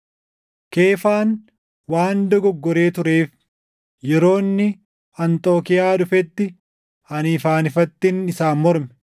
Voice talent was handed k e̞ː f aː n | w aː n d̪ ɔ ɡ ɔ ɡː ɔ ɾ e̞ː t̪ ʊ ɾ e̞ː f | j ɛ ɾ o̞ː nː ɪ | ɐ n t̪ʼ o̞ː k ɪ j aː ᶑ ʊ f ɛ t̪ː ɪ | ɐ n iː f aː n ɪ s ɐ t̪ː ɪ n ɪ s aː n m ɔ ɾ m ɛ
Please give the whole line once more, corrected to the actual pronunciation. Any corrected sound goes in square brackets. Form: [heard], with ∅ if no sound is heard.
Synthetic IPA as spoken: k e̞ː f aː n | w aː n d̪ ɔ ɡ ɔ ɡː ɔ ɾ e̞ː t̪ ʊ ɾ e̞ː f | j ɛ ɾ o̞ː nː ɪ | ɐ n t̪ʼ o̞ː k ɪ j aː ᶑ ʊ f ɛ t̪ː ɪ | ɐ n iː f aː n ɪ [f] ɐ t̪ː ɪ n ɪ s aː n m ɔ ɾ m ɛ